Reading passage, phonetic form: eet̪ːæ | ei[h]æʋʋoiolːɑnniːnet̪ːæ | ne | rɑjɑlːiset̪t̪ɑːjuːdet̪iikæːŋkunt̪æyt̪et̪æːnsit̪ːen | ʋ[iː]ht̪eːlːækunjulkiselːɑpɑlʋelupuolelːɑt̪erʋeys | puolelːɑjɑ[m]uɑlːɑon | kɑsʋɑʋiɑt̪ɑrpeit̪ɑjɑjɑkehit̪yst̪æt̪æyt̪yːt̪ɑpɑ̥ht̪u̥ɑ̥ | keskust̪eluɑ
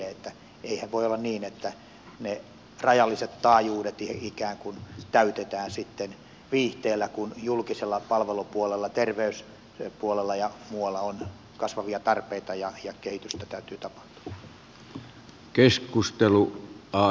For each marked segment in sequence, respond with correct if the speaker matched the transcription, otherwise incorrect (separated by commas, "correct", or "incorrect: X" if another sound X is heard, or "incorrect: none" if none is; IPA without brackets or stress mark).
correct, correct, correct